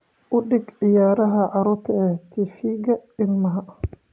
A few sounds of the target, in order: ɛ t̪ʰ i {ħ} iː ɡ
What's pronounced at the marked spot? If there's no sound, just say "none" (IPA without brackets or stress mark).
f